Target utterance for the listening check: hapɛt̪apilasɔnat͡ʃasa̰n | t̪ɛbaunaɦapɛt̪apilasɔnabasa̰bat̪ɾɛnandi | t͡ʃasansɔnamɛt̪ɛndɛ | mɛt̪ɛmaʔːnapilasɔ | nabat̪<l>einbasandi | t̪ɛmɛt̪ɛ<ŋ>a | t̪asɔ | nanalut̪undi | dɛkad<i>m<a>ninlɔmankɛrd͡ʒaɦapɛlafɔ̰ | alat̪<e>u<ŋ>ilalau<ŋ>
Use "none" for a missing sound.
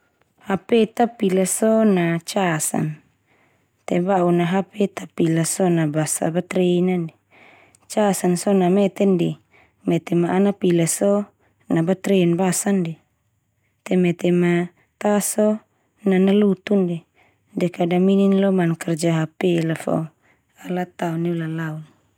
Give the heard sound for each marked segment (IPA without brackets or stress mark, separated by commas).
ɾ, m, a, i, a, n, n